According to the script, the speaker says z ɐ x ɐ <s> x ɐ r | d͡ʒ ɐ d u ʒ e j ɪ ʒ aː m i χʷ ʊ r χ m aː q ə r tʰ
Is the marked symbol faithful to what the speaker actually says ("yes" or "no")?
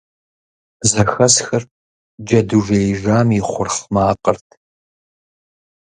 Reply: yes